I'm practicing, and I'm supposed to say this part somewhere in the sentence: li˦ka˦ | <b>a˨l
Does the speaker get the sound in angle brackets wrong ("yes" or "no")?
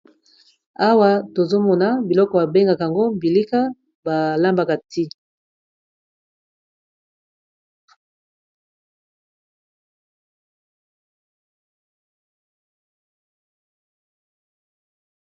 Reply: no